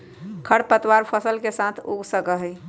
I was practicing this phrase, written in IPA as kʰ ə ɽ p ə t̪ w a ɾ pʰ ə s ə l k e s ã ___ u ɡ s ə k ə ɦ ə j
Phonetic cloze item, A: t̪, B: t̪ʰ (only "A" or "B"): B